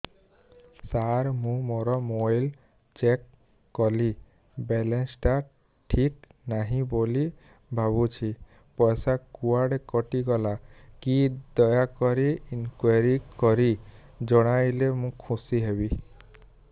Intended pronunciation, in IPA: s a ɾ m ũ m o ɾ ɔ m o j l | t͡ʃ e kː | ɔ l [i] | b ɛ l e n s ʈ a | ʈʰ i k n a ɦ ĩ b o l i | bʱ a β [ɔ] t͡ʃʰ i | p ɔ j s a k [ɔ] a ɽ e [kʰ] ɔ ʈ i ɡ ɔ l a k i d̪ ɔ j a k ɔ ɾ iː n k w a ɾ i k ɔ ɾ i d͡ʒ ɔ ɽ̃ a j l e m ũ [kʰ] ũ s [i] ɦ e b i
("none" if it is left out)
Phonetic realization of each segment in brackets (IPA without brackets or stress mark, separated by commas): i, u, u, k, kʰ, i